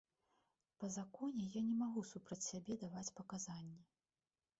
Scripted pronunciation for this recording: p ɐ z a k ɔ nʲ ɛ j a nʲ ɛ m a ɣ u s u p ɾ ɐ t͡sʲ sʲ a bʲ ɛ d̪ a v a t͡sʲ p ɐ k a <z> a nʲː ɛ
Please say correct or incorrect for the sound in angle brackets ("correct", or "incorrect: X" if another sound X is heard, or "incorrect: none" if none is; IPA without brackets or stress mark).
correct